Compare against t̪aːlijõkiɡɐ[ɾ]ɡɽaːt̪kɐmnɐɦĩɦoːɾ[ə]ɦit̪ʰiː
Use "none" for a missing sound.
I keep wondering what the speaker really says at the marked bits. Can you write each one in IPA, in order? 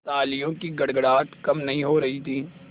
ɽ, ɐ

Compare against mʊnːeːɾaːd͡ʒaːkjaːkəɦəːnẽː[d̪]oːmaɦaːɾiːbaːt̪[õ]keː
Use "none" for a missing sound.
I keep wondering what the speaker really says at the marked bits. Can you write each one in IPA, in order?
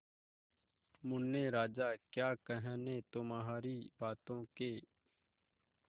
t̪, õː

